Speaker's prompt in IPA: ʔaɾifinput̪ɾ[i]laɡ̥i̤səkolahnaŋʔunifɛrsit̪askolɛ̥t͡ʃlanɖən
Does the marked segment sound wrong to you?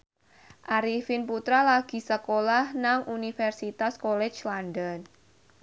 yes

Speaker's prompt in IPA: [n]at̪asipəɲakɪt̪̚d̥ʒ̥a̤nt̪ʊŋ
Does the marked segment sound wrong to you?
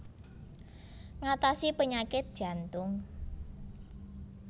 yes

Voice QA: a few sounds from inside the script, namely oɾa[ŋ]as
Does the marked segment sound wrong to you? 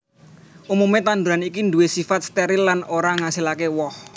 no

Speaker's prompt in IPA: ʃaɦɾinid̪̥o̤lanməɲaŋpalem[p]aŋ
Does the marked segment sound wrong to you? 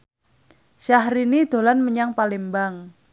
yes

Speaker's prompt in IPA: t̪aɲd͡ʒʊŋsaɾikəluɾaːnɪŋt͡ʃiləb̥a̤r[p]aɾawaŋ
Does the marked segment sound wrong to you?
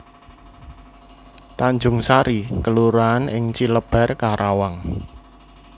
yes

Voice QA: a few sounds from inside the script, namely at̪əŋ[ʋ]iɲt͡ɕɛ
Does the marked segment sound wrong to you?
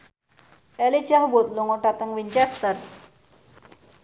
no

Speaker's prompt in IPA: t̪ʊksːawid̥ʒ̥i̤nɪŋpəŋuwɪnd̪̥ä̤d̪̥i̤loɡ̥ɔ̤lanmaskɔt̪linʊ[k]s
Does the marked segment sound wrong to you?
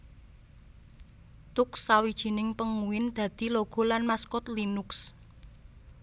no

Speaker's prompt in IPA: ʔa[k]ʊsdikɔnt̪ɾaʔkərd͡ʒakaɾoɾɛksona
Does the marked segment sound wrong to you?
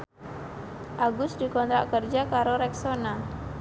yes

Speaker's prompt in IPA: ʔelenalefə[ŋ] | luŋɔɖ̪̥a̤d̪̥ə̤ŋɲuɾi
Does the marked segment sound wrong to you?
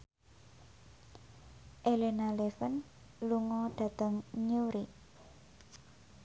yes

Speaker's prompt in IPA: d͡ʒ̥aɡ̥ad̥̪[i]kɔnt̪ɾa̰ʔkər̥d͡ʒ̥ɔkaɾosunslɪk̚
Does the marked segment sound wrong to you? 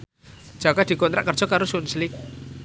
no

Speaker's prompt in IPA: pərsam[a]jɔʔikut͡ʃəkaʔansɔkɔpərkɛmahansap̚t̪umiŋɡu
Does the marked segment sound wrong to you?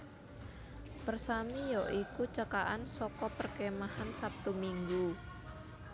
yes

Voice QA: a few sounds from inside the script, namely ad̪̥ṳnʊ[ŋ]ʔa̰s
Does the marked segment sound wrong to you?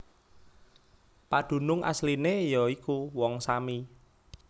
no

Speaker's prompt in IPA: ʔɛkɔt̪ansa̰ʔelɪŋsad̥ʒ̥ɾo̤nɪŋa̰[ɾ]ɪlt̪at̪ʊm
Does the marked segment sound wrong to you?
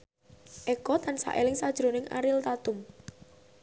no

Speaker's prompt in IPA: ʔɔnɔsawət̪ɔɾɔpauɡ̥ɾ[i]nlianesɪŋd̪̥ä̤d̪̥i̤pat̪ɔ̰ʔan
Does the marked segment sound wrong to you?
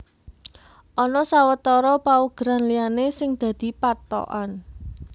yes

